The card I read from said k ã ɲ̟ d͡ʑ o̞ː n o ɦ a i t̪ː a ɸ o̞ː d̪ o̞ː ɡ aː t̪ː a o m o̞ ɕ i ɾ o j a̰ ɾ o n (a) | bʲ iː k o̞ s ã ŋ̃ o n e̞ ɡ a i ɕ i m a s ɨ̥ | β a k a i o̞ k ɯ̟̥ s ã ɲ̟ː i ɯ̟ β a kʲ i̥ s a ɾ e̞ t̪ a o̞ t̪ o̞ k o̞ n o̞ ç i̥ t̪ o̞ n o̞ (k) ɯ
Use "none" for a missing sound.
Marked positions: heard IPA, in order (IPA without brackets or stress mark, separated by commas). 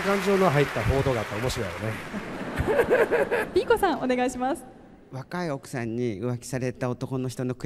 e, k